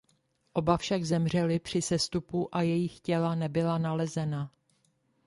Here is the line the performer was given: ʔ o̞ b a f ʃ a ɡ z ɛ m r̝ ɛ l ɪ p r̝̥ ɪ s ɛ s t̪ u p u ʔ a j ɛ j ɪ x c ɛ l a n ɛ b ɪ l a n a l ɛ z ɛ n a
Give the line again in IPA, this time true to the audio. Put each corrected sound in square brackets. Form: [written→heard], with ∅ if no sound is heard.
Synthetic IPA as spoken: ʔ o̞ b a f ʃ a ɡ z ɛ m r̝ ɛ l ɪ p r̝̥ ɪ s ɛ s t̪ u p u ʔ a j ɛ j ɪ x c ɛ l a n ɛ b ɪ l a n a l ɛ z ɛ n a